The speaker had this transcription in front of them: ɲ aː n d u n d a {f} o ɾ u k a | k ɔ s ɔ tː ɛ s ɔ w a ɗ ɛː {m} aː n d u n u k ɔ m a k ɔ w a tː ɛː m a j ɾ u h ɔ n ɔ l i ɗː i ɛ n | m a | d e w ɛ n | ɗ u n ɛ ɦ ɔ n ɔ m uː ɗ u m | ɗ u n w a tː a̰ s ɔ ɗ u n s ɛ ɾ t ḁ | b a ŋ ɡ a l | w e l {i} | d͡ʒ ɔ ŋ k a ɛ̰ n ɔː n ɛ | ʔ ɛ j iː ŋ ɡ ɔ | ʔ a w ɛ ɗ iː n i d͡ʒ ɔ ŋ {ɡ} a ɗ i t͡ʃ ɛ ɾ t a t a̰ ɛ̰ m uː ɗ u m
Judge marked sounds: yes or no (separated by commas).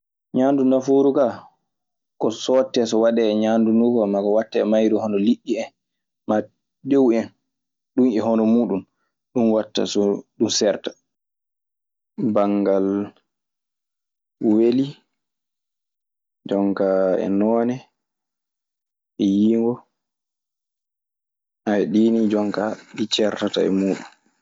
yes, no, yes, no